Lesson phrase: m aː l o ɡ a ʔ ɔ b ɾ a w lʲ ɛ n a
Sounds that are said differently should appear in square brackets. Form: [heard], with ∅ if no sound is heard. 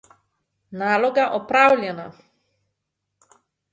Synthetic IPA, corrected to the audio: [n] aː l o ɡ a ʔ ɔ [p] ɾ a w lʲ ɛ n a